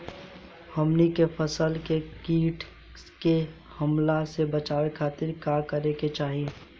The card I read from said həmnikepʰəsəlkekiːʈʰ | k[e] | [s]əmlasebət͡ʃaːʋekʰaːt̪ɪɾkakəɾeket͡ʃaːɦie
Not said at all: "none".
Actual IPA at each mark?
e, h

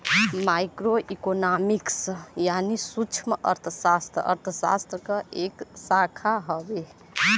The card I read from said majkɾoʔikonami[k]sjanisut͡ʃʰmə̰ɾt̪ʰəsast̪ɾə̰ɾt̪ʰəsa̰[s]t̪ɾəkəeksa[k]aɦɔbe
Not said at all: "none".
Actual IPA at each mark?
k, s, kʰ

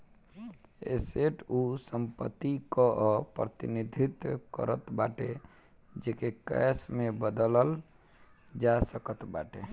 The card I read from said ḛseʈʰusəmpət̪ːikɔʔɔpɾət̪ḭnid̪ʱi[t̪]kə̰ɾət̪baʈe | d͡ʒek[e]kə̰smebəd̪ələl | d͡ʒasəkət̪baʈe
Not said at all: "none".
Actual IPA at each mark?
t̪, e

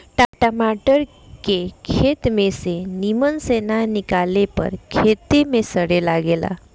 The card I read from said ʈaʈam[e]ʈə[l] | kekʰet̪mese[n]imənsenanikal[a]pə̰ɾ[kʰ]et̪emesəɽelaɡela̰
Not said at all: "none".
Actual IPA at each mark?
a, ɾ, n, e, kʰ

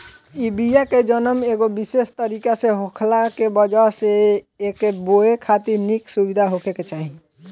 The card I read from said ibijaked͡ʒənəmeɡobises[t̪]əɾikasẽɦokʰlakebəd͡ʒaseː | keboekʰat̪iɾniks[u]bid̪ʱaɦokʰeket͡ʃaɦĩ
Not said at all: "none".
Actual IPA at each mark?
t̪, u

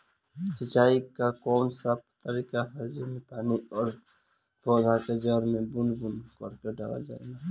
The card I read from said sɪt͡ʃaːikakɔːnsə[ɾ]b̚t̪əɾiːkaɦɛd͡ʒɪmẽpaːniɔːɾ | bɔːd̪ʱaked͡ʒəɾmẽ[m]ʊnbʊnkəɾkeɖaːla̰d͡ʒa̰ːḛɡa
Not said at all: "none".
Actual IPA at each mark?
none, b

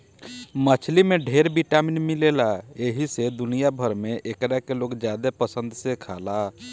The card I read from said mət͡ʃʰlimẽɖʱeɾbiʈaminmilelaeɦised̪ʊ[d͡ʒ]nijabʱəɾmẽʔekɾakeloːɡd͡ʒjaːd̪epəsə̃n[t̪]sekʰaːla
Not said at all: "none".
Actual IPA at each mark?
none, d̪

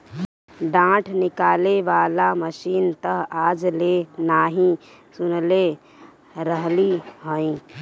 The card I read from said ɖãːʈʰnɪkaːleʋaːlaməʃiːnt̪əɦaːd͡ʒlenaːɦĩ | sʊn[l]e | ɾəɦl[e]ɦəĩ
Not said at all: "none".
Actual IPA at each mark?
l, i

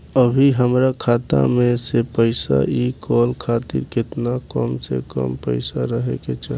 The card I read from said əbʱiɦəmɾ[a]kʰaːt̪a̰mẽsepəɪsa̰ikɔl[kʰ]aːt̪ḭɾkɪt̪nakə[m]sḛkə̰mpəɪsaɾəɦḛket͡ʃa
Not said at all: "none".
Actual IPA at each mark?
a, kʰ, m

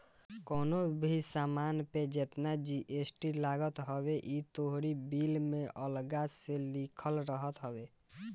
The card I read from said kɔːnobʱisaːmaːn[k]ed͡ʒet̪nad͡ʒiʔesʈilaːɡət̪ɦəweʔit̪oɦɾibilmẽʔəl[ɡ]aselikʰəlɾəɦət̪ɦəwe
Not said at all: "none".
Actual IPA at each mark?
p, ɡ

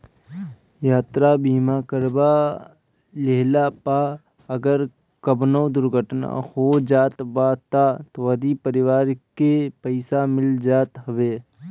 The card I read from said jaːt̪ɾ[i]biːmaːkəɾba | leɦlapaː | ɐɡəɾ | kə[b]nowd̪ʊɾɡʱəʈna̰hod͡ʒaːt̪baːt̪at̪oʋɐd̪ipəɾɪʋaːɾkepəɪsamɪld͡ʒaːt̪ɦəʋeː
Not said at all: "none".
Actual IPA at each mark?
a, b

